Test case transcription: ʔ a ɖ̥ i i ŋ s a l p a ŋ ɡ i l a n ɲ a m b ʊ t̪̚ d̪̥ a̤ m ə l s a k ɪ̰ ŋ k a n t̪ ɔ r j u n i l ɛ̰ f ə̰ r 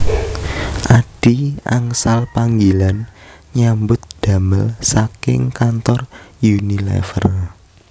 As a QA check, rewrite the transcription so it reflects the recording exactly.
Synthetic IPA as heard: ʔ a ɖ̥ i a ŋ s a l p a ŋ ɡ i l a n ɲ a m b ʊ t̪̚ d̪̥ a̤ m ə l s a k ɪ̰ ŋ k a n t̪ ɔ r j u n i l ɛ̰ f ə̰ r